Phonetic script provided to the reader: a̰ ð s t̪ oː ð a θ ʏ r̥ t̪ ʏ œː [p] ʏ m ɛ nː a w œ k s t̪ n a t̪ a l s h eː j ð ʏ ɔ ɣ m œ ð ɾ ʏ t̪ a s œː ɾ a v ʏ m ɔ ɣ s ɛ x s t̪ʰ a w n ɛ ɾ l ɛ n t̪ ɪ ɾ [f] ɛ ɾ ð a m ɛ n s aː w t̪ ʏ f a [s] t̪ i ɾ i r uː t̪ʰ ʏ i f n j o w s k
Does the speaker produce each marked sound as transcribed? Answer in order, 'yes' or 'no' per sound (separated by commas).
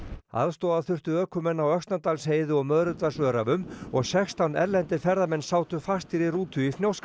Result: no, yes, yes